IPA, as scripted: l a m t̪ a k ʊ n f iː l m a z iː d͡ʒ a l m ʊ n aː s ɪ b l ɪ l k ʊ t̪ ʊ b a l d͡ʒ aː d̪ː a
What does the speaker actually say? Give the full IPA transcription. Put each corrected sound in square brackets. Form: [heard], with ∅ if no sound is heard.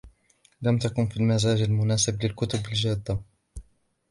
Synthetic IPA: l a m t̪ a k ʊ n f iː l m a z [aː] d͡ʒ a l m ʊ n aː s ɪ b l ɪ l k ʊ t̪ ʊ b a l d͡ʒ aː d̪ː a